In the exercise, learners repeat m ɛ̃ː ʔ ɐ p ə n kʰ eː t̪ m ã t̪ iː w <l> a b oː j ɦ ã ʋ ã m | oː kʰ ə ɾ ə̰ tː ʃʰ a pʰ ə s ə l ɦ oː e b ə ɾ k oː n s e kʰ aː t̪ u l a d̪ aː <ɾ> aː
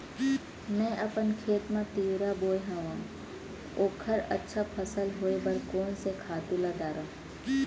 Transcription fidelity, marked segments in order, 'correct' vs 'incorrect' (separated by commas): incorrect, correct